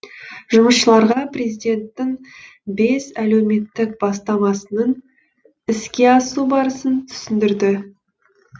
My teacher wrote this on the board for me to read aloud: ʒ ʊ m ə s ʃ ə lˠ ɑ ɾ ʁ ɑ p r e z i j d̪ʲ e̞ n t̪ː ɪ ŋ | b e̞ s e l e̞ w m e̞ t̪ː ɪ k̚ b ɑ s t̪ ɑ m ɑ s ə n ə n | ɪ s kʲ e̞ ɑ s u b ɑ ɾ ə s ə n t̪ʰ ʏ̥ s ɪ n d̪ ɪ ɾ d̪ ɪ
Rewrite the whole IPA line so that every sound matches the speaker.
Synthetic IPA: ʒ ʊ m ə s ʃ ə lˠ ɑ ɾ ʁ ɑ p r e z i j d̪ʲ e̞ n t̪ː ɪ ŋ | b e̞ s æ l e̞ w m e̞ t̪ː ɪ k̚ b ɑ s t̪ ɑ m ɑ s ə n ə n | ɪ s kʲ e̞ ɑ s u b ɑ ɾ ə s ə n t̪ʰ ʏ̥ s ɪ n d̪ ɪ ɾ d̪ ɪ